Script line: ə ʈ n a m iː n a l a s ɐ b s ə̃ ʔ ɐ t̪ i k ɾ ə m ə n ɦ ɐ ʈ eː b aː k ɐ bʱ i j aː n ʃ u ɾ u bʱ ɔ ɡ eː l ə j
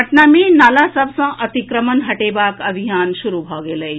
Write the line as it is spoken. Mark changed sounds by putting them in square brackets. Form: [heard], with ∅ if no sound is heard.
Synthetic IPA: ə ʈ n a m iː n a l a s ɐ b s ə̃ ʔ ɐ t̪ i k ɾ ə m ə n ɦ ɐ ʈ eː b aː k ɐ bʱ i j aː n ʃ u ɾ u bʱ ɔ ɡ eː l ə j